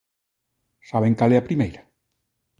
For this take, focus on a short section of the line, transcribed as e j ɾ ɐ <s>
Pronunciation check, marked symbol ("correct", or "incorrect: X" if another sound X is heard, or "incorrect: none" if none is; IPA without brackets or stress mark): incorrect: none